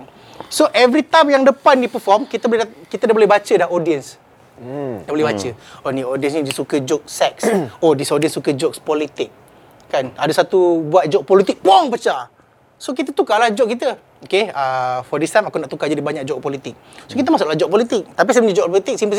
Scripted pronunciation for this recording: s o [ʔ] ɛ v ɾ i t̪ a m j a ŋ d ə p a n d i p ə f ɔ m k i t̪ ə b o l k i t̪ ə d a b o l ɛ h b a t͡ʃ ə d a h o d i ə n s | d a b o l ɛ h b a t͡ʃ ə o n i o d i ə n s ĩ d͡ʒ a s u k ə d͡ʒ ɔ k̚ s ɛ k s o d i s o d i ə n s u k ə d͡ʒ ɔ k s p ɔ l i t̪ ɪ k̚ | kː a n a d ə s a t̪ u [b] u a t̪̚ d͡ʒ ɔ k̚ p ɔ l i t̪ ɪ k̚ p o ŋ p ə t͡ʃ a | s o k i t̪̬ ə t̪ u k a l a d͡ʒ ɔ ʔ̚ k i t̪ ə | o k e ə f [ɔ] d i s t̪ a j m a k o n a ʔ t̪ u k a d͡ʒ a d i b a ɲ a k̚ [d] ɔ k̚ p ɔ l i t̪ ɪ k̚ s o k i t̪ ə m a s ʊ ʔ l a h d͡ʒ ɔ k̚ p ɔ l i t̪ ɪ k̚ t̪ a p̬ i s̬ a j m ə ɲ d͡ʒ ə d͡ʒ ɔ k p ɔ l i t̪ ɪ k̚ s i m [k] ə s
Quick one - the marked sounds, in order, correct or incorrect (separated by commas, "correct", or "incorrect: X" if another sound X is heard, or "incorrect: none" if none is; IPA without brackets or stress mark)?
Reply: correct, correct, correct, incorrect: d͡ʒ, incorrect: p